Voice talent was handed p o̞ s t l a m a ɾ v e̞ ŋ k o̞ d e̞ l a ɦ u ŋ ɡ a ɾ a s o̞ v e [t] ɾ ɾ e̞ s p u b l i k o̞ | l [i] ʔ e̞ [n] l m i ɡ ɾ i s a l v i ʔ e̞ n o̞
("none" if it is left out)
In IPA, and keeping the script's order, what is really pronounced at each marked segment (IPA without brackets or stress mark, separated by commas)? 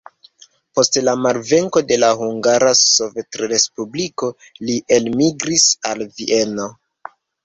t, i, none